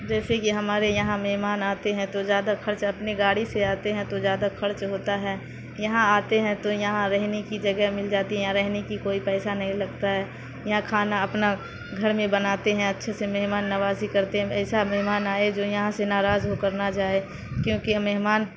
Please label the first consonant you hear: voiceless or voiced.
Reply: voiced